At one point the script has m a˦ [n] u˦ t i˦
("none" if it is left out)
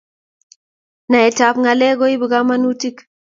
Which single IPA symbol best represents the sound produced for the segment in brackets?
n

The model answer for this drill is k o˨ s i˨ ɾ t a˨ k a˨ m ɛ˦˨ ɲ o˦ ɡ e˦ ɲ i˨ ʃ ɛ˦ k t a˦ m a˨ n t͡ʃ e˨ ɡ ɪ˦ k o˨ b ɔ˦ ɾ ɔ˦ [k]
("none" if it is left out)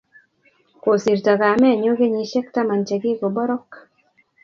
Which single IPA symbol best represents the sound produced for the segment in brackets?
k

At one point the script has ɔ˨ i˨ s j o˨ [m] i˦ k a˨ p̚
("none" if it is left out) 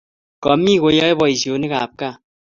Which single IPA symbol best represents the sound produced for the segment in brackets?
n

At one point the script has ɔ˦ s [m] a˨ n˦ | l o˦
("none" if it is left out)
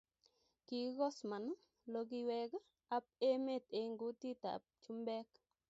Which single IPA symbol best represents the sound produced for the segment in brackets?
m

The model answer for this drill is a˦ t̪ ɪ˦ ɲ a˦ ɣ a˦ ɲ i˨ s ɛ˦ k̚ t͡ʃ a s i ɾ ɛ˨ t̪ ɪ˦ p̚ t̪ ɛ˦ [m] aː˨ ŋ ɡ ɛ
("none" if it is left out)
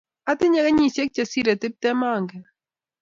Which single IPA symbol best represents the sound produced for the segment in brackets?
m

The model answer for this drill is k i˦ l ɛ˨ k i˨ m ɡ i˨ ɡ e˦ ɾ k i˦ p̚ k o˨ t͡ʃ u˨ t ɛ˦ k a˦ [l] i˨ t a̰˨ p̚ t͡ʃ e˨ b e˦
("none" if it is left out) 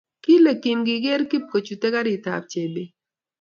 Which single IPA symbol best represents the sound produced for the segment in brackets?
ɾ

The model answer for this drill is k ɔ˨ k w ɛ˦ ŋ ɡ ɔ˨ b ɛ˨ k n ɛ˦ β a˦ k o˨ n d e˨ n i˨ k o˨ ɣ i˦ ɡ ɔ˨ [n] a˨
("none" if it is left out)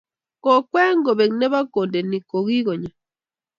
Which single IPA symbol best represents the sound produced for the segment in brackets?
ɲ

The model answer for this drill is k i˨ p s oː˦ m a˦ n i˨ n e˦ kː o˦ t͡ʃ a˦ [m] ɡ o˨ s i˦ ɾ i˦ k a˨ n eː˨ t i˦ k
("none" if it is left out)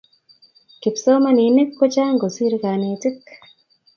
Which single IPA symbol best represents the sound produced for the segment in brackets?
ŋ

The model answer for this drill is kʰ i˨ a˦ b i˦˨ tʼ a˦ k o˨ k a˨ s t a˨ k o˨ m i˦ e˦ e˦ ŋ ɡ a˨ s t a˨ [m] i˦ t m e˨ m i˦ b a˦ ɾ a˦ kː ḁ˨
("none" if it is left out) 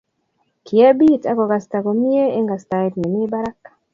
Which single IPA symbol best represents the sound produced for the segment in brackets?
none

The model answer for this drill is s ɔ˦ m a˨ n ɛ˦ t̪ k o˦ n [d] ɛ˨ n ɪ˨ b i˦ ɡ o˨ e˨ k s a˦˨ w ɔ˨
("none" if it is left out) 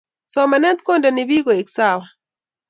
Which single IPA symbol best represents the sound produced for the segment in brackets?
d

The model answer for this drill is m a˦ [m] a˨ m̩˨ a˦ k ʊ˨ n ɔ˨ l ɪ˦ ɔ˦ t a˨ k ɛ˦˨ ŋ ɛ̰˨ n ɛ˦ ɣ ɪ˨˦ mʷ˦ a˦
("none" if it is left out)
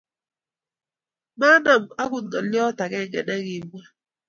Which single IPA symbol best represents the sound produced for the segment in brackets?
n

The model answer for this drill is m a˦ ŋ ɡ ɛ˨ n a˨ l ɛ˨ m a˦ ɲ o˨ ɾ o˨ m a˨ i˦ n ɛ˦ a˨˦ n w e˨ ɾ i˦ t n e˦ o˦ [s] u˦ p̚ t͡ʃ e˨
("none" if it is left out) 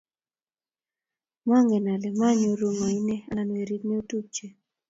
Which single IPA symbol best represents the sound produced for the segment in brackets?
t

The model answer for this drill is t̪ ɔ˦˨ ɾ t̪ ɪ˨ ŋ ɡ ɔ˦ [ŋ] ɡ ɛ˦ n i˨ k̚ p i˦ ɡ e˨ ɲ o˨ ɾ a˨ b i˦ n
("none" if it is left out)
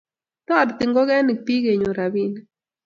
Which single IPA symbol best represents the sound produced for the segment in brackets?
none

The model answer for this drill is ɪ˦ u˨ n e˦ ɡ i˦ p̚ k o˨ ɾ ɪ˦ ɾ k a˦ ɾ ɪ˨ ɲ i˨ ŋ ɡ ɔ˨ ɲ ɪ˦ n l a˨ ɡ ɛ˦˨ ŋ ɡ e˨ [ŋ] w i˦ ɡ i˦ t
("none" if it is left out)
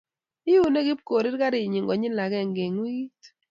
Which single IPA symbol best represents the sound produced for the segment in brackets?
ŋ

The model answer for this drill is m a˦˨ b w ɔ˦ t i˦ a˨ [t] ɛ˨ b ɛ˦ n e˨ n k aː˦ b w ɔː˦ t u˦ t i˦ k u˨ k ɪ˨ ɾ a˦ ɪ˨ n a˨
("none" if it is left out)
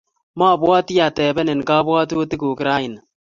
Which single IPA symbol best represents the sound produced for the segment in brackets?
t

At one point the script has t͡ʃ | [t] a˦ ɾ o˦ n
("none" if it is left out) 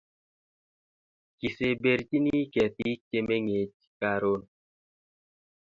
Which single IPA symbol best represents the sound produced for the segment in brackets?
k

